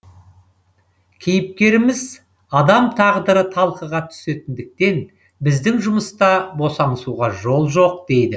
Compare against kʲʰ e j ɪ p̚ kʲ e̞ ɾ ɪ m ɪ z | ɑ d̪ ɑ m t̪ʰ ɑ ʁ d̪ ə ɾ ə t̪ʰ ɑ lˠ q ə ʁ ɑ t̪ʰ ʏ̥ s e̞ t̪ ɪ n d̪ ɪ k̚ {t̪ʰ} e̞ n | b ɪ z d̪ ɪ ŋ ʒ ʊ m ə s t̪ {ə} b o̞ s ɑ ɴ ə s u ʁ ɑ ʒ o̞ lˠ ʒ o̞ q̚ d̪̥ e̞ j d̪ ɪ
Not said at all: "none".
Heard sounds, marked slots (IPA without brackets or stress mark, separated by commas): t̪, ɑ